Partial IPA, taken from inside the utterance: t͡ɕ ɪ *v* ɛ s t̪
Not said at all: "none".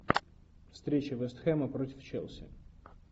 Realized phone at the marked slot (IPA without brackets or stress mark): v